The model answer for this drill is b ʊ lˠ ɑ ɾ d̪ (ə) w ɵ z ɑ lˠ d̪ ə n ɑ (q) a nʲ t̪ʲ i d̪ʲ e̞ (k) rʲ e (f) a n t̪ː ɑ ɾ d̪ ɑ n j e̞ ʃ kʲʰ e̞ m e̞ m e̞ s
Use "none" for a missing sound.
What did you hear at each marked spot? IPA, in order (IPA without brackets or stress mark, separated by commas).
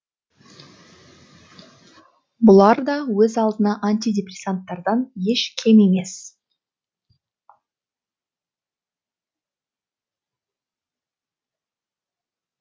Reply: ɑ, ʔ, p, s